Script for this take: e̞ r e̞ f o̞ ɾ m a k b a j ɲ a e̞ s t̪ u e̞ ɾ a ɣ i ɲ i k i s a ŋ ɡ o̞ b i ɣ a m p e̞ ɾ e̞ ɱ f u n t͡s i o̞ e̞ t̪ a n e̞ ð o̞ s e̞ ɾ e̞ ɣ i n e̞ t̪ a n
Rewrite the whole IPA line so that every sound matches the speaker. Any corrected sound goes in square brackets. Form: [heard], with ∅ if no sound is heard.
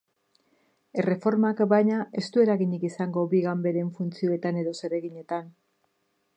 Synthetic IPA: e̞ r e̞ f o̞ ɾ m a k b a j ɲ a e̞ s t̪ u e̞ ɾ a ɣ i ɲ i k i s a ŋ ɡ o̞ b i ɣ a m [b] e̞ ɾ e̞ ɱ f u n t͡s i o̞ e̞ t̪ a n e̞ ð o̞ s e̞ ɾ e̞ ɣ i [ɲ] e̞ t̪ a n

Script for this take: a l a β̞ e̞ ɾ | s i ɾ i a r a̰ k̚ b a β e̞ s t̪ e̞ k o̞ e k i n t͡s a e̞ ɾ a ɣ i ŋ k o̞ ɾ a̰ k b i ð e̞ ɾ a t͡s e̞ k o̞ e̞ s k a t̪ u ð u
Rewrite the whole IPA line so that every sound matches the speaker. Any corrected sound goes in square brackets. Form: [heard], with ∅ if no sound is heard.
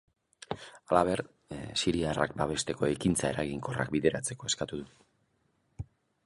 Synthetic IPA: a l a β̞ e̞ ɾ | s i ɾ i a r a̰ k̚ b a β e̞ s t̪ e̞ k o̞ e k i n t͡s a e̞ ɾ a ɣ i ŋ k o̞ [r] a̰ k b i ð e̞ ɾ a t͡s e̞ k o̞ e̞ s k a t̪ u ð u

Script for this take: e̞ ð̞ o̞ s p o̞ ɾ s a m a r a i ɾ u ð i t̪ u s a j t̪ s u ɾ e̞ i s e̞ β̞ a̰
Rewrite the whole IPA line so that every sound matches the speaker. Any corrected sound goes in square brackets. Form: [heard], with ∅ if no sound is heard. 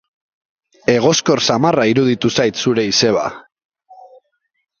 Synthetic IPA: e̞ [ɣ̞] o̞ s [k] o̞ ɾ s a m a r a i ɾ u ð i t̪ u s a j t̪ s u ɾ e̞ i s e̞ β̞ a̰

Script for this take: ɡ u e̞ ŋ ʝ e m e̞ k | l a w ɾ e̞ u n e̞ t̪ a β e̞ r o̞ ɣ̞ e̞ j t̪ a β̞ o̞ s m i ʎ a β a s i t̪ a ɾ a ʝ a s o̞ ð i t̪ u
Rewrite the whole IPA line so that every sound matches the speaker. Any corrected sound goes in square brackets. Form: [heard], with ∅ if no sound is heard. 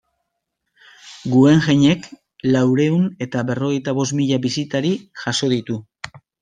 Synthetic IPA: ɡ u e̞ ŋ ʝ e [ɲ] e̞ k | l a w ɾ e̞ u n e̞ t̪ a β e̞ r o̞ ɣ̞ e̞ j t̪ a β̞ o̞ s m i ʎ a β [i] s i t̪ a ɾ [i] ʝ a s o̞ ð i t̪ u

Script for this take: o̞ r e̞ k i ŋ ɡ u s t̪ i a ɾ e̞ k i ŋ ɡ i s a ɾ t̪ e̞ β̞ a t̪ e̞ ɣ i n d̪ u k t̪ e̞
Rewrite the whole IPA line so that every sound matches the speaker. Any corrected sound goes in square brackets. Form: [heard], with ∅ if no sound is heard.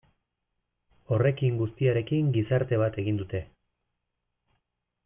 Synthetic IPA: o̞ r e̞ k i ŋ ɡ u s t̪ i a ɾ e̞ k i ŋ ɡ i s a ɾ t̪ e̞ β̞ a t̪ e̞ ɣ i n d̪ u [∅] t̪ e̞

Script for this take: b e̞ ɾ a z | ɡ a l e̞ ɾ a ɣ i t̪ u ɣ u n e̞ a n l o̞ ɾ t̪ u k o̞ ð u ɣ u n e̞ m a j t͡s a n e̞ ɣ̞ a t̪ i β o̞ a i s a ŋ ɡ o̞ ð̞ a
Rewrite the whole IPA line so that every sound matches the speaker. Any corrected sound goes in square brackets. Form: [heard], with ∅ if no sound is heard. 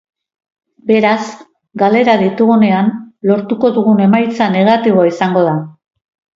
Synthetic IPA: b e̞ ɾ a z | ɡ a l e̞ ɾ a [ð] i t̪ u ɣ u n e̞ a n l o̞ ɾ t̪ u k o̞ ð u ɣ u n e̞ m a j t͡s a n e̞ ɣ̞ a t̪ i β o̞ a i s a ŋ ɡ o̞ ð̞ a

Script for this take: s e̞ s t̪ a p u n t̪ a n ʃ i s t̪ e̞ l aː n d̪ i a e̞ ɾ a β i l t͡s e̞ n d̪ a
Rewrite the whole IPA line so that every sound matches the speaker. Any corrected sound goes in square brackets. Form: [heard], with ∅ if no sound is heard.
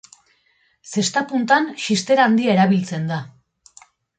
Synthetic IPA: s e̞ s t̪ a p u n t̪ a n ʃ i s t̪ e̞ [ɾ] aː n d̪ i a e̞ ɾ a β i l t͡s e̞ n d̪ a

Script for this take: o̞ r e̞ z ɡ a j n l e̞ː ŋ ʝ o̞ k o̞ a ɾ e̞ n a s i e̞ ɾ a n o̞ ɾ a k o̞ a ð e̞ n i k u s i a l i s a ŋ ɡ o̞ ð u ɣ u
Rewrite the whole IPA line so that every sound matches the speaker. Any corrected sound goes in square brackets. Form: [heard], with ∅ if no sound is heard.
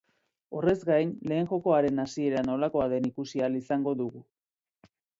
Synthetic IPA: o̞ r e̞ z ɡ a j n l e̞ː ŋ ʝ o̞ k o̞ a ɾ e̞ n a s i e̞ ɾ a n o̞ [l] a k o̞ a ð e̞ n i k u s i a l i s a ŋ ɡ o̞ ð u ɣ u

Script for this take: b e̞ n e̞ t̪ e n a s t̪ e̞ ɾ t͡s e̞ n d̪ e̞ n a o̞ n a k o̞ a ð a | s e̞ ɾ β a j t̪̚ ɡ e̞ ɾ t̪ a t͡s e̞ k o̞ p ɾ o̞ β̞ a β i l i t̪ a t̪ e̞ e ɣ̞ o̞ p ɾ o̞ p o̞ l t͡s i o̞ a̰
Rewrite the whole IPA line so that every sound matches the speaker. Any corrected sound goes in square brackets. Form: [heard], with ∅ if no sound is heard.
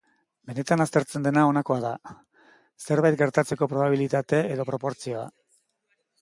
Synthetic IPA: b e̞ n e̞ t̪ [a] n a s t̪ e̞ ɾ t͡s e̞ n d̪ e̞ n a o̞ n a k o̞ a ð a | s e̞ ɾ β a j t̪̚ ɡ e̞ ɾ t̪ a t͡s e̞ k o̞ p ɾ o̞ β̞ a β i l i t̪ a t̪ e̞ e [ð̞] o̞ p ɾ o̞ p o̞ [ɾ] t͡s i o̞ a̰

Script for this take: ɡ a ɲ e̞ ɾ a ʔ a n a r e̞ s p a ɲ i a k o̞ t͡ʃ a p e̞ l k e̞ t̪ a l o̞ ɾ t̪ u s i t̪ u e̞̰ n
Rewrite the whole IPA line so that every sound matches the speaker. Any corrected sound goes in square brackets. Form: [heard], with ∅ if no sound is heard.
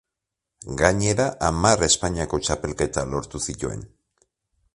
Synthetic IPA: ɡ a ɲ e̞ ɾ a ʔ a [m] a r e̞ s p a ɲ i a k o̞ t͡ʃ a p e̞ l k e̞ t̪ a l o̞ ɾ t̪ u s i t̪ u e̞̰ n

